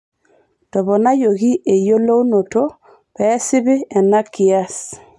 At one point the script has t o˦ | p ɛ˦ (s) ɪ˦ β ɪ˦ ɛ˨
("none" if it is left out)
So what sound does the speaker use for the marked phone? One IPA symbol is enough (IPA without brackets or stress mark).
s